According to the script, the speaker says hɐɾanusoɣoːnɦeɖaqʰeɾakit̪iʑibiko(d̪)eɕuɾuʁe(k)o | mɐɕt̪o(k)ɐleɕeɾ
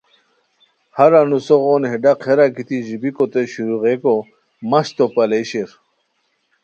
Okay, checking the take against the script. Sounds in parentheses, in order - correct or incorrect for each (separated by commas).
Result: incorrect, correct, incorrect